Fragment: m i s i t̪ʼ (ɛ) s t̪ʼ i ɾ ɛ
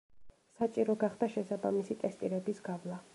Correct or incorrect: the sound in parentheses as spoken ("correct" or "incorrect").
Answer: correct